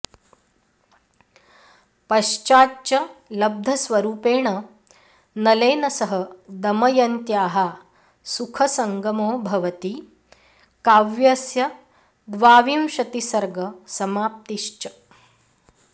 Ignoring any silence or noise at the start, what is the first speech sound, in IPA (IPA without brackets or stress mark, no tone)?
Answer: p